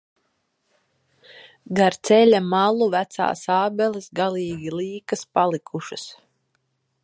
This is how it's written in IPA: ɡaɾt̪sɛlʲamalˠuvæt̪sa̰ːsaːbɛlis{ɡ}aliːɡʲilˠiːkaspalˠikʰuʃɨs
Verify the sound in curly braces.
correct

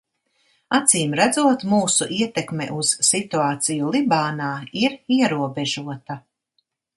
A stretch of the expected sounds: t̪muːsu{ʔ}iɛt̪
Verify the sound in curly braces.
correct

